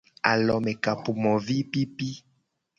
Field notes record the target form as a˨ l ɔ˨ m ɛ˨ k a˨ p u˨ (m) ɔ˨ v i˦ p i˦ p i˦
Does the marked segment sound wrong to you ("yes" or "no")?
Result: no